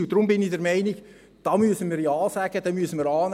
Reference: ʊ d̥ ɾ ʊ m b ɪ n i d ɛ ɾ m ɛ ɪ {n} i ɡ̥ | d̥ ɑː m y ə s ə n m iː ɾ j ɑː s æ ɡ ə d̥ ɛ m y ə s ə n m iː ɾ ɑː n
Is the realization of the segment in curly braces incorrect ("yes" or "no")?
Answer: no